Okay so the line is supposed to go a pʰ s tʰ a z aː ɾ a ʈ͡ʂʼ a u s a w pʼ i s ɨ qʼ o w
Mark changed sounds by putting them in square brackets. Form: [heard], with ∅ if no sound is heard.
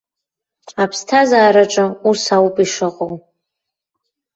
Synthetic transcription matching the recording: a pʰ s tʰ a z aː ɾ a ʈ͡ʂʼ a u s a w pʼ i [ʂ] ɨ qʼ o w